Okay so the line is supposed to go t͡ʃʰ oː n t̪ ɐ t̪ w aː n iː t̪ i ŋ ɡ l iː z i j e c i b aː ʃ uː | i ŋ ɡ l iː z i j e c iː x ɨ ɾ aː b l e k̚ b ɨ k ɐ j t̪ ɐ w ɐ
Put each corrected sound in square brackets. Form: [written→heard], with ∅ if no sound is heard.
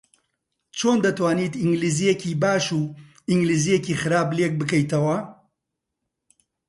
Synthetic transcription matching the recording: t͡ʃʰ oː n [t̪→d̪] ɐ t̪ w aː n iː t̪ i ŋ ɡ l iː z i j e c i b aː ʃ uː | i ŋ ɡ l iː z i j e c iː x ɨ ɾ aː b l e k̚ b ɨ k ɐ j t̪ ɐ w ɐ